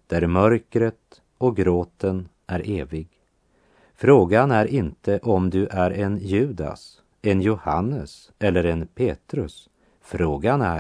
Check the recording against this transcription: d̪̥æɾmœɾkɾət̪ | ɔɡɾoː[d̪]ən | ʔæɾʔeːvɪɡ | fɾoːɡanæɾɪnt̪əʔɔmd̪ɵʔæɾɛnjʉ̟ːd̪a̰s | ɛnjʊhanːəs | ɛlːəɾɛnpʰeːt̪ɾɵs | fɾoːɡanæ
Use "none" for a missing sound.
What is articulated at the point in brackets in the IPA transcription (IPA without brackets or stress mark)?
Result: t̪